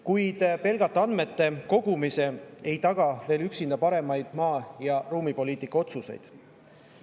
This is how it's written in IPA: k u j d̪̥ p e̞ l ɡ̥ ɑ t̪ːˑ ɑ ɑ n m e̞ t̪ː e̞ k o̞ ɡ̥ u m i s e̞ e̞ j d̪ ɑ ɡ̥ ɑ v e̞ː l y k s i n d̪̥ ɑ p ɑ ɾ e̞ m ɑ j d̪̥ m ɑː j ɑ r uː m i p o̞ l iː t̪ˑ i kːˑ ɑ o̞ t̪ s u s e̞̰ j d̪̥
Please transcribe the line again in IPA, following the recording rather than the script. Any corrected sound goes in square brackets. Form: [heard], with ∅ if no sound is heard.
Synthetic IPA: k u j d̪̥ p e̞ l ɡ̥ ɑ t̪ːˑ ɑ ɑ n m e̞ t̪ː e̞ k o̞ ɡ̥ u m i s e̞ e̞ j [t̪] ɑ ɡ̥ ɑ v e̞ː l y k s i n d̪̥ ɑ p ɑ ɾ e̞ m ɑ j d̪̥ m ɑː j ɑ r uː m i p o̞ l iː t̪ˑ i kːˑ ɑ o̞ t̪ s u s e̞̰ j d̪̥